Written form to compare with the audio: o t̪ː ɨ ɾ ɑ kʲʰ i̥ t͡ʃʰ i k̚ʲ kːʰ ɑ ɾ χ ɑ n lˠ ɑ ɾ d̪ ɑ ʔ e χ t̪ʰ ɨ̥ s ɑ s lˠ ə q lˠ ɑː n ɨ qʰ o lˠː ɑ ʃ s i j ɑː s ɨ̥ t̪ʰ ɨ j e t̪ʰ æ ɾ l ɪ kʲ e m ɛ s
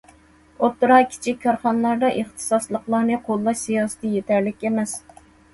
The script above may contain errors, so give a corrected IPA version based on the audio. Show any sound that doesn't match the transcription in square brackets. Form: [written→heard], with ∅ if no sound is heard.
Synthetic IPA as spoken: o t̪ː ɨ ɾ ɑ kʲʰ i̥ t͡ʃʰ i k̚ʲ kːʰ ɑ ɾ χ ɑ n lˠ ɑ ɾ d̪ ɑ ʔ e χ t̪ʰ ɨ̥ s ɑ s lˠ ə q lˠ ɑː n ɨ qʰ o lˠː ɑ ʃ s i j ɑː s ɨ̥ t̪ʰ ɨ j e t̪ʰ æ ɾ l ɪ kʲ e m ɛ s